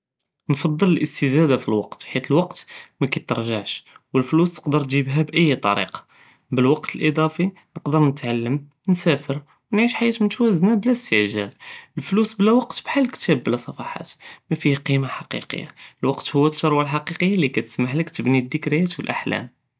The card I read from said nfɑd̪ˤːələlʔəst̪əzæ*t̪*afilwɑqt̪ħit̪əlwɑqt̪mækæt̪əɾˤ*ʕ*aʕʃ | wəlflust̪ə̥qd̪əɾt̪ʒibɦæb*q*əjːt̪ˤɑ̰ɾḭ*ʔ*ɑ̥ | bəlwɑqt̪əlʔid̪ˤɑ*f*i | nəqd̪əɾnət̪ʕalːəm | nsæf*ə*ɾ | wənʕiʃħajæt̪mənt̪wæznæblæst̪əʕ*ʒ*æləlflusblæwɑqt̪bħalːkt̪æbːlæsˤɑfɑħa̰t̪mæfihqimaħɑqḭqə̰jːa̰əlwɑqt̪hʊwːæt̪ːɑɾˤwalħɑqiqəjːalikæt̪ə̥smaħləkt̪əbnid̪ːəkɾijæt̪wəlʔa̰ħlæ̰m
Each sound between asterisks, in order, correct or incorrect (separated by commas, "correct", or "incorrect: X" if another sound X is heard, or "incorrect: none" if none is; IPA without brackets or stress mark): incorrect: d̪, incorrect: ʒ, incorrect: ʔ, incorrect: q, correct, correct, correct